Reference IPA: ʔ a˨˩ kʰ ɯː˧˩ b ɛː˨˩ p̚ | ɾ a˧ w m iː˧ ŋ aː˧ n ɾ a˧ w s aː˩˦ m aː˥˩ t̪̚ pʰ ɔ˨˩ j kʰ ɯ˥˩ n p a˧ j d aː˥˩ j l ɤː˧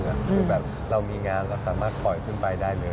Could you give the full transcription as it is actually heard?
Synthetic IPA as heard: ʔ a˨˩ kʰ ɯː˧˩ b ɛː˨˩ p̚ | ɾ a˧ w m iː˧ ŋ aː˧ n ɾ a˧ w s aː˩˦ m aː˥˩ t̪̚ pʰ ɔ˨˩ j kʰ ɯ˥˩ n p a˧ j d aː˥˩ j l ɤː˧